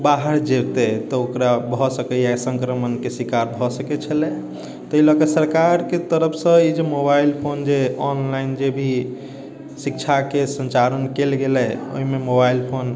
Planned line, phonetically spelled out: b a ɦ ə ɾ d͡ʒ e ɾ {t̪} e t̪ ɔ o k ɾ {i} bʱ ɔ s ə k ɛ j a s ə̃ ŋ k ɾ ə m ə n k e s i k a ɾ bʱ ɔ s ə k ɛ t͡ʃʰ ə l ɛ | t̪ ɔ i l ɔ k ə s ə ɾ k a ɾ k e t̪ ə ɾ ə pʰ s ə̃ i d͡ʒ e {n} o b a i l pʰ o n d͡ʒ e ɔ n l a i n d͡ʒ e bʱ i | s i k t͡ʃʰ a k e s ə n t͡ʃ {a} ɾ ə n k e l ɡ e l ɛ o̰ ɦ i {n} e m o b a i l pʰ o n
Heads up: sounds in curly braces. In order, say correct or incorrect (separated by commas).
correct, incorrect, incorrect, correct, incorrect